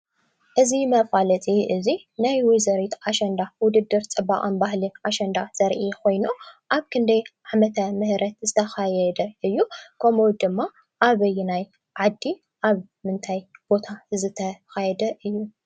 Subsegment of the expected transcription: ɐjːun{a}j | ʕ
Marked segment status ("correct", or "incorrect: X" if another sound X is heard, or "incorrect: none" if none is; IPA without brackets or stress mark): correct